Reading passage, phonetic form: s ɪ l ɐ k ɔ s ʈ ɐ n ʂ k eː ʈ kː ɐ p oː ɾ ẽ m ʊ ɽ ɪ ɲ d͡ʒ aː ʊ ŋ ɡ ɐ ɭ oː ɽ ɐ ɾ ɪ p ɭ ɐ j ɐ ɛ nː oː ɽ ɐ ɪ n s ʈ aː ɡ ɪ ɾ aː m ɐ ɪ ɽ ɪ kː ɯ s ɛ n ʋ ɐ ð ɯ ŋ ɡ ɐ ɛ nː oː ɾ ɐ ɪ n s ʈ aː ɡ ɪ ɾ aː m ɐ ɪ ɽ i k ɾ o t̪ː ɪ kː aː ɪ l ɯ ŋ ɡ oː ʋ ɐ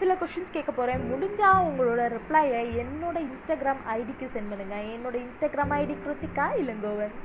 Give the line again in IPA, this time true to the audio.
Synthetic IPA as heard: s ɪ l ɐ k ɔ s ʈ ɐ n s k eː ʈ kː ɐ p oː ɾ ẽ m ʊ ɽ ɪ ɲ d͡ʒ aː ʊ ŋ ɡ ɐ ɭ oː ɽ ɐ ɾ ɪ p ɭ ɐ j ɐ ɛ nː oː ɽ ɐ ɪ n s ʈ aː ɡ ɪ ɾ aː m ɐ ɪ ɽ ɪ kː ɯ s ɛ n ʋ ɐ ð ɯ ŋ ɡ ɐ ɛ nː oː ɽ ɐ ɪ n s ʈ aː ɡ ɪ ɾ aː m ɐ ɪ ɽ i k ɾ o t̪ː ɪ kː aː ɪ l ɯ ŋ ɡ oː ʋ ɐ